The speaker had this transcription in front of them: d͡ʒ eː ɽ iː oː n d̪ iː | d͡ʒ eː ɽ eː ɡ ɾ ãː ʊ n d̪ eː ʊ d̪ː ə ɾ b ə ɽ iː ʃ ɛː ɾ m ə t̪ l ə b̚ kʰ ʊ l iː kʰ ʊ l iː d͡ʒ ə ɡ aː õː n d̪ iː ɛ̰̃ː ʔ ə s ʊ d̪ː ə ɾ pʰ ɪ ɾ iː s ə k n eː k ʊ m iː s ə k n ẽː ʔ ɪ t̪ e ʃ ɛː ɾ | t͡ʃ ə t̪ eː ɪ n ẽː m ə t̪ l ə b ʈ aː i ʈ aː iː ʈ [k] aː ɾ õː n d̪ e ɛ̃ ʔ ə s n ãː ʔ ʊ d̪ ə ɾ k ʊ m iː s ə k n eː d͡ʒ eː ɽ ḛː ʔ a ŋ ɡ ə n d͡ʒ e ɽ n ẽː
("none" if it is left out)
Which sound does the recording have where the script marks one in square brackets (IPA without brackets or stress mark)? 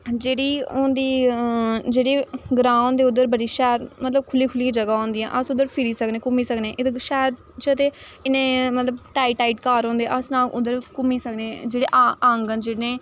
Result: k